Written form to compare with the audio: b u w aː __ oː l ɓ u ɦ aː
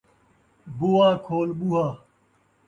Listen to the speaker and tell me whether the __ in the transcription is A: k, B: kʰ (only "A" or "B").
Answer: B